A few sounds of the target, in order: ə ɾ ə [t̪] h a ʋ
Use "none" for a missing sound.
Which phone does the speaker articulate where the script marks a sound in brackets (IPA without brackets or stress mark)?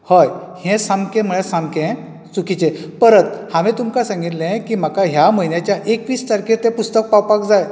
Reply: t̪